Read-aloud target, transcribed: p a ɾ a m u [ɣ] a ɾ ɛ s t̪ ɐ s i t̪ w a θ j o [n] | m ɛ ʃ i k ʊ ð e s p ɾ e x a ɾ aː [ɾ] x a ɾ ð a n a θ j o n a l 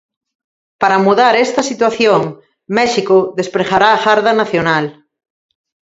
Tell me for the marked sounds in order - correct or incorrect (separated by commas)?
incorrect, incorrect, incorrect